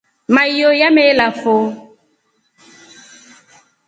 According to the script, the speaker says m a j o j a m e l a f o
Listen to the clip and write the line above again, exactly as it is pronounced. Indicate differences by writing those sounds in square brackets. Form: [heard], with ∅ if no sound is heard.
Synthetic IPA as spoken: m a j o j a m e l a f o